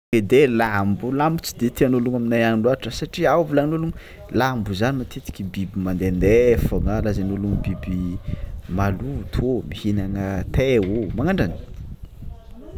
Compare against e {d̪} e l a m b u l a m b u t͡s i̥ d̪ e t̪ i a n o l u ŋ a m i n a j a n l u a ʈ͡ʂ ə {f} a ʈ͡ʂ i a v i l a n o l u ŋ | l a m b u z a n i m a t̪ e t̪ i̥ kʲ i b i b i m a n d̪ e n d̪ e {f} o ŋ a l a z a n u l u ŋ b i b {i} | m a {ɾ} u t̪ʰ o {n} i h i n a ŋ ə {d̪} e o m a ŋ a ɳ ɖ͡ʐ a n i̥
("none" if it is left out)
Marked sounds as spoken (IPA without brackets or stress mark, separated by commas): d̪, s, f, i, l, m, t̪